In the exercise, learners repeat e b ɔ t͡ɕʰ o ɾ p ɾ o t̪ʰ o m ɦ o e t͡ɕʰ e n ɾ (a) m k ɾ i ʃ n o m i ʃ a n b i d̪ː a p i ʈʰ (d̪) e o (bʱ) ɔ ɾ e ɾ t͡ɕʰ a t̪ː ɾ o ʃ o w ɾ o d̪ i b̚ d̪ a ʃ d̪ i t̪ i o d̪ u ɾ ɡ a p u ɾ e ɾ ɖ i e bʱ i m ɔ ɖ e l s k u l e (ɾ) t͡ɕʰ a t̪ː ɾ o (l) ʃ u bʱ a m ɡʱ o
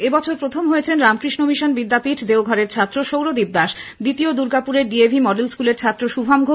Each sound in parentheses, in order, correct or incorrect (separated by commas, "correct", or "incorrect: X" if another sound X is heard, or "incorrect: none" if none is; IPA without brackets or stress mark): correct, correct, incorrect: ɡʱ, correct, incorrect: none